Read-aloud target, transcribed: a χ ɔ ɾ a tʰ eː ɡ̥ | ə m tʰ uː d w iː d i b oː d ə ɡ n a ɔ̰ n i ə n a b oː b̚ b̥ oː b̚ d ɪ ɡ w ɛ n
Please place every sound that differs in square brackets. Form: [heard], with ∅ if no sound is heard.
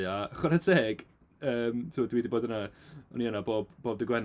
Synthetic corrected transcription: a χ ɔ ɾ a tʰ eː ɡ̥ | [əː] m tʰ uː d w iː d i b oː d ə [∅] n a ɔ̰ n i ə n a b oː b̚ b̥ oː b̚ d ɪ ɡ w ɛ n